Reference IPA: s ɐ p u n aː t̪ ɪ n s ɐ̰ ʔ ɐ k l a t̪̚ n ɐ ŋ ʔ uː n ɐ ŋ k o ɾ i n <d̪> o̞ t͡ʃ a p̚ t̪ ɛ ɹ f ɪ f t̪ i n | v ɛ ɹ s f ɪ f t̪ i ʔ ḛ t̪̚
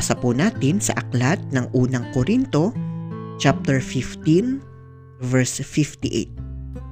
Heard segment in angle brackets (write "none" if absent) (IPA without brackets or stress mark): t̪